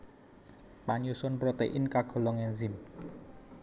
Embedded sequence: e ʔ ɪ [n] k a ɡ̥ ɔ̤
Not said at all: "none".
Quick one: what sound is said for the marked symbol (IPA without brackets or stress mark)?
n